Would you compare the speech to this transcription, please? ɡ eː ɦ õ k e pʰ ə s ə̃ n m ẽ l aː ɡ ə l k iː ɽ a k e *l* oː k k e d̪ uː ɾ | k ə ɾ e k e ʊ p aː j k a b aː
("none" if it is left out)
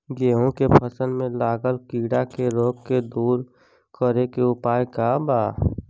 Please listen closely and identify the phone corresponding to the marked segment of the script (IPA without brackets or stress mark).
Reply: ɾ